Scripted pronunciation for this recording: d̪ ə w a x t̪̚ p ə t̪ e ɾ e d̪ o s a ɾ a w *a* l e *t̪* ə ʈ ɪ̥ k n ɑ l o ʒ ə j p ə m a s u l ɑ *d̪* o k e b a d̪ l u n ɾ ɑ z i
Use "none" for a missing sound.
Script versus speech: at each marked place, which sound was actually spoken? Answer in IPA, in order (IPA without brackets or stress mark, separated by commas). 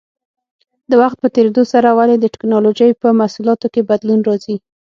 a, d̪, t̪